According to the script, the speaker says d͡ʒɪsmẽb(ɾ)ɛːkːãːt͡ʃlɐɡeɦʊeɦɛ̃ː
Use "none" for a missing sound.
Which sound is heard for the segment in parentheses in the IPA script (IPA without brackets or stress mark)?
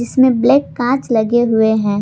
l